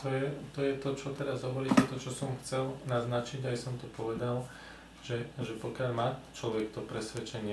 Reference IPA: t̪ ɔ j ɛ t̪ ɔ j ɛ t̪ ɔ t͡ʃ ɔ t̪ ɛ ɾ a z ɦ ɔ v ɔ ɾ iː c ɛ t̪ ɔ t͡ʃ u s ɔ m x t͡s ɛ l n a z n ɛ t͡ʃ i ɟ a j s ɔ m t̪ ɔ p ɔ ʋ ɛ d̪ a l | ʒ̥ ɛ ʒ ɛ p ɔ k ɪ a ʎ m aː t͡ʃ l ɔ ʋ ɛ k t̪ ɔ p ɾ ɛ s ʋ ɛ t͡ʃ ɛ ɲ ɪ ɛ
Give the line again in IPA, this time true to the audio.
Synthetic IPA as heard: t̪ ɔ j ɛ t̪ ɔ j ɛ t̪ ɔ t͡ʃ ɔ t̪ ɛ ɾ a z ɦ ɔ ʋ ɔ ɾ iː c ɛ t̪ ɔ t͡ʃ ɔ s ɔ m x t͡s ɛ l n a z n a t͡ʃ i ɟ a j s ɔ m t̪ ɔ p ɔ ʋ ɛ d̪ a l | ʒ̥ ɛ ʒ ɛ p ɔ k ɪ a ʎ m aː t͡ʃ l ɔ ʋ ɛ k t̪ ɔ p ɾ ɛ s ʋ ɛ t͡ʃ ɛ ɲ ɪ ɛ